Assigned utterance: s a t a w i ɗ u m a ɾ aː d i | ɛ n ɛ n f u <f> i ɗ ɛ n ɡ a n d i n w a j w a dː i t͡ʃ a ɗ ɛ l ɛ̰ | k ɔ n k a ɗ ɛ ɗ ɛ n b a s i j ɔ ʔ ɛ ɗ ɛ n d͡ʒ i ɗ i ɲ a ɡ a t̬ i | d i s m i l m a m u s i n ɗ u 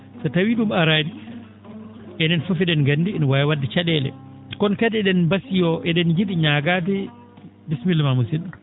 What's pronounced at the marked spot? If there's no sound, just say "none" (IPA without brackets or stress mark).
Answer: f